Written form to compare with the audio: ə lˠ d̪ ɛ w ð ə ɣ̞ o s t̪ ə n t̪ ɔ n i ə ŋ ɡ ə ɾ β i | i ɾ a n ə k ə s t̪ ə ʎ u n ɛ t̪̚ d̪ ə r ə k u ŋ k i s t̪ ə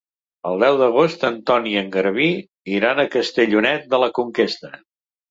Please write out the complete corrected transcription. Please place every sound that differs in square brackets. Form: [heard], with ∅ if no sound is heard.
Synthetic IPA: ə lˠ d̪ ɛ w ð ə ɣ̞ o s t̪ ə n t̪ ɔ n i ə ŋ ɡ ə ɾ β i | i ɾ a n ə k ə s t̪ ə ʎ u n ɛ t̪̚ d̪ ə [l] ə k u ŋ k [e] s t̪ ə